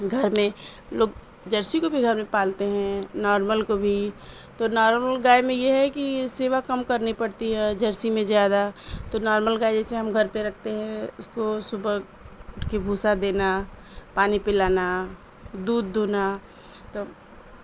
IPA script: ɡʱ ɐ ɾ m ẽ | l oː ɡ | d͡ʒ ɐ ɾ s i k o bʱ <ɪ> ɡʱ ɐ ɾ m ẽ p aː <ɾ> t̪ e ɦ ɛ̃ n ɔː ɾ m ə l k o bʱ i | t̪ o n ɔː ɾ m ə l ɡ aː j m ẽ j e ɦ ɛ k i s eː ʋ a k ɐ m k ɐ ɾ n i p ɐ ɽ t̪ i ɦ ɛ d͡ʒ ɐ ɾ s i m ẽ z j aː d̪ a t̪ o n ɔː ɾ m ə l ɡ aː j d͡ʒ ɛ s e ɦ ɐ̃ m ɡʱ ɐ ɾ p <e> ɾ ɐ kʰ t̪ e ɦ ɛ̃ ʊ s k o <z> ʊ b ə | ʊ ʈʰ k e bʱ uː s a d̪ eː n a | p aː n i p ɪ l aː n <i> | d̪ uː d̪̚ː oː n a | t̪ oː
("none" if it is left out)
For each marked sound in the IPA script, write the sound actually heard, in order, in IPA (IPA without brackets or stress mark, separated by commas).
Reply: i, l, e, s, a